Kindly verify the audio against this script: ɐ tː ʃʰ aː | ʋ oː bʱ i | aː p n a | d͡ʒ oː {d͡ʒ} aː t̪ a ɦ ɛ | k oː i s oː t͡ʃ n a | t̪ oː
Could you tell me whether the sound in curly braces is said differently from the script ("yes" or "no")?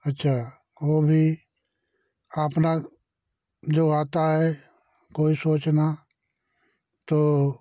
yes